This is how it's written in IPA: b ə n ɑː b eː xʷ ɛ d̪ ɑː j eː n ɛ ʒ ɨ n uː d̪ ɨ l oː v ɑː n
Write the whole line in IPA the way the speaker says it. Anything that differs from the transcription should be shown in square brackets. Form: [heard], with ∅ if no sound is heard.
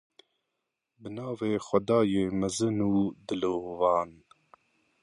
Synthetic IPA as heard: b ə n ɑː [v] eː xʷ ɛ d̪ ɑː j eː [m] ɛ [z] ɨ n uː d̪ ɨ l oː v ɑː n